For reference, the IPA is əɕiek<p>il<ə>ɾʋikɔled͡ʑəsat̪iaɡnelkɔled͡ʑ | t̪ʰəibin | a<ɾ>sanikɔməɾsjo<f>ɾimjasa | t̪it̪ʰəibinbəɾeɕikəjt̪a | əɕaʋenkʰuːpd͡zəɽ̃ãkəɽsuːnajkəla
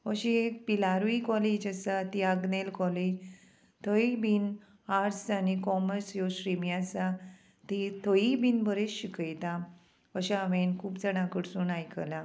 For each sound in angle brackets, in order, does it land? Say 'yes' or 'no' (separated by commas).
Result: yes, no, yes, no